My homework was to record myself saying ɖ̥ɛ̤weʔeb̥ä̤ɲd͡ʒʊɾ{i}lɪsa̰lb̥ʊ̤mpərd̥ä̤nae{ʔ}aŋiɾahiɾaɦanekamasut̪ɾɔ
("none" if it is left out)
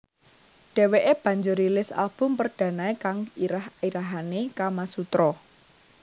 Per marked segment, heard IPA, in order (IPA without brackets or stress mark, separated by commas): i, k